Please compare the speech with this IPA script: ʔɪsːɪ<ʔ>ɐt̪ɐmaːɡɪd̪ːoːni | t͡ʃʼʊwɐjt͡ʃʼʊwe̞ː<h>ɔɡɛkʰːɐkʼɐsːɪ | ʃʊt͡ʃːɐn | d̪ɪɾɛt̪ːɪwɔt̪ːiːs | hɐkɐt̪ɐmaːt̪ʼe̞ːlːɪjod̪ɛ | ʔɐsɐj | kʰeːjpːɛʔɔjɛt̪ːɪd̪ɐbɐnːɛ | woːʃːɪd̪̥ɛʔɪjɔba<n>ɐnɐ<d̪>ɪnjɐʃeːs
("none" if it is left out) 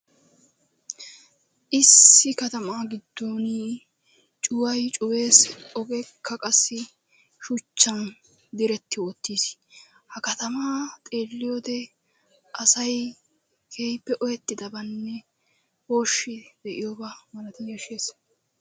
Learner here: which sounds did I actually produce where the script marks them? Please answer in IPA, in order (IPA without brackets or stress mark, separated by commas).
k, s, m, t̪